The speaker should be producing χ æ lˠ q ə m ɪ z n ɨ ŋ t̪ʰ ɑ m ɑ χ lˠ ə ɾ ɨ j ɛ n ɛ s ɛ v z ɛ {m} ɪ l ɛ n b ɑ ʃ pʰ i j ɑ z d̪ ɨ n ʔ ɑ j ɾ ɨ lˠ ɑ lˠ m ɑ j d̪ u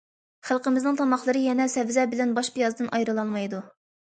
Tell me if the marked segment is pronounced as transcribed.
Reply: no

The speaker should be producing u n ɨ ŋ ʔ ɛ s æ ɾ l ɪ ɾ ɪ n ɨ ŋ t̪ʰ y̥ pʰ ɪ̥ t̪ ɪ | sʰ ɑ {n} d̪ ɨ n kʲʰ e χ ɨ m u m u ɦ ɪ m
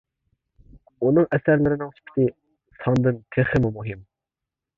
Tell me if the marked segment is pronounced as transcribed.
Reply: yes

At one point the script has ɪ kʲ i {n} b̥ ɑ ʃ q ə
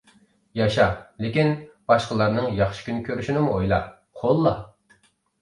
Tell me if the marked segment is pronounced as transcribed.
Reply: yes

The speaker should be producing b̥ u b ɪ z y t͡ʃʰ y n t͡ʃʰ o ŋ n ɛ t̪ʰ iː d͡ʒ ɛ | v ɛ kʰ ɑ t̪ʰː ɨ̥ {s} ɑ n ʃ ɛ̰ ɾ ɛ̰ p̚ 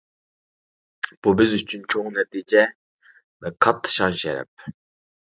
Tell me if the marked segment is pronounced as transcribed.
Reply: no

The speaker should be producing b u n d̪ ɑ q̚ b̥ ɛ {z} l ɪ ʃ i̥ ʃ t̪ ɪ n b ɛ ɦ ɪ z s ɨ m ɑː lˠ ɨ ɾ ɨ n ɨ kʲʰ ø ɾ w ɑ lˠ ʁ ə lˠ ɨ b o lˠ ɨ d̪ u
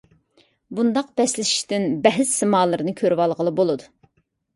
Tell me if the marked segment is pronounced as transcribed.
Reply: no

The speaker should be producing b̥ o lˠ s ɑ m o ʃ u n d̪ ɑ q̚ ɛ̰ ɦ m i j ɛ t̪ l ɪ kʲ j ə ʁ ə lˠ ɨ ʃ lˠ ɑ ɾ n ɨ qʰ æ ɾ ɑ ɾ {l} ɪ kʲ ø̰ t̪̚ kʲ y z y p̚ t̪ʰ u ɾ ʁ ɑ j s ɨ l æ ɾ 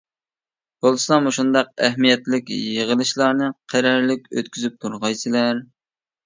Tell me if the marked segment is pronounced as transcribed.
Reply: yes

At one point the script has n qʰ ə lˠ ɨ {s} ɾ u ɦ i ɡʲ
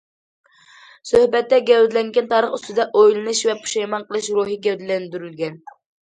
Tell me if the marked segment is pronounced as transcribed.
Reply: no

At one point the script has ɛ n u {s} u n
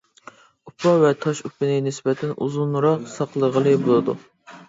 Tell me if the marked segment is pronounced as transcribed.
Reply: no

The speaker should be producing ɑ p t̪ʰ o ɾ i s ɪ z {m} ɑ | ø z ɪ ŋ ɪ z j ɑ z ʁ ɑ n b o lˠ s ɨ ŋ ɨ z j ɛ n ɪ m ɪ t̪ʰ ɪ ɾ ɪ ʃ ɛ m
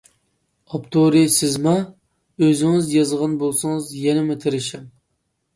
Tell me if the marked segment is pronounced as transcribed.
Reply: yes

